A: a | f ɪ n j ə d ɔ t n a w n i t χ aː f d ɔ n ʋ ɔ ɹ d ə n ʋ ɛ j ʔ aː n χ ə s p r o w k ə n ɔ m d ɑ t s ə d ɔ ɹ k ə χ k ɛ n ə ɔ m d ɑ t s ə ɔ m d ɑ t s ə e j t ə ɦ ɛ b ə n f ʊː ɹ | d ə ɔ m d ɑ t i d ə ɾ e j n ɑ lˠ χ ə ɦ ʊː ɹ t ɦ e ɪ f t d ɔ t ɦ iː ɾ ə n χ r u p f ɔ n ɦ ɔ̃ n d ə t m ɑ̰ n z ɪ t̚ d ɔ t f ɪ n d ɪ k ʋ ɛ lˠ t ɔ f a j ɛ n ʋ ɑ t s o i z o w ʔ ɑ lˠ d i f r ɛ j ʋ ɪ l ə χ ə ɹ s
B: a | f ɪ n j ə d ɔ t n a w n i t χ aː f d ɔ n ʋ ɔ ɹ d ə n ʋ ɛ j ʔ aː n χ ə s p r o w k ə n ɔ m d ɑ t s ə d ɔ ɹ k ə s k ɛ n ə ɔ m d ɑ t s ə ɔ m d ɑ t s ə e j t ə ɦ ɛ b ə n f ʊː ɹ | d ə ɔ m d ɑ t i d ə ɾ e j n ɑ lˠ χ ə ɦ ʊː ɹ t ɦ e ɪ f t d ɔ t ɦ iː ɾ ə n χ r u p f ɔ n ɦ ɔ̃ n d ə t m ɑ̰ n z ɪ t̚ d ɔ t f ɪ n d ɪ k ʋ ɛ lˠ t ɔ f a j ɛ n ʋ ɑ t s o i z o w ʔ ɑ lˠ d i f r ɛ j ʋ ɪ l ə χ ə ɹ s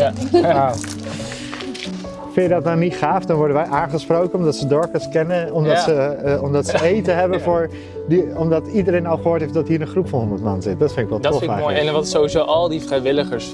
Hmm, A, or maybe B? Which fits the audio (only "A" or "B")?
B